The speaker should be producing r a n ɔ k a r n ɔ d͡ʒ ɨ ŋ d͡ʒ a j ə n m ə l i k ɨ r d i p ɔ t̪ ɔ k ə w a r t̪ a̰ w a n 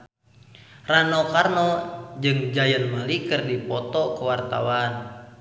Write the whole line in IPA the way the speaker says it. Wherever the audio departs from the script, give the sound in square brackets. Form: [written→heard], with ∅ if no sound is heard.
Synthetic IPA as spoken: r a n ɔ k a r n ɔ d͡ʒ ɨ ŋ d͡ʒ a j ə n m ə l i k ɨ r d i p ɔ t̪ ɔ k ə w a r t̪ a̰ w a n